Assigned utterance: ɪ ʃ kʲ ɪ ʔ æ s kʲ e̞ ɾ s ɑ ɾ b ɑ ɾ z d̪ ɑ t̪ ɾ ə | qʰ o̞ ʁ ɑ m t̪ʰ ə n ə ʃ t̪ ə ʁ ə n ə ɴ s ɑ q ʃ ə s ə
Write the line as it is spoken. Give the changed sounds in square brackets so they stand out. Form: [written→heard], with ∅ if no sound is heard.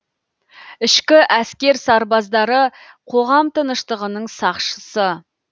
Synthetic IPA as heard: ɪ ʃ kʲ ɪ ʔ æ s kʲ e̞ ɾ s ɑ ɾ b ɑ [ɾ→∅] z d̪ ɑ [t̪→∅] ɾ ə | qʰ o̞ ʁ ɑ m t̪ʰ ə n ə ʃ t̪ ə ʁ ə n ə ɴ s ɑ q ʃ ə s ə